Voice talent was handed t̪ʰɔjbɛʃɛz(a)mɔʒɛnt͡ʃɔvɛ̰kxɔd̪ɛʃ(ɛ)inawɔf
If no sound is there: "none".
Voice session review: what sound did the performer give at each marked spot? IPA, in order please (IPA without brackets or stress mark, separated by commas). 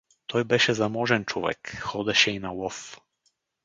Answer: a, ɛ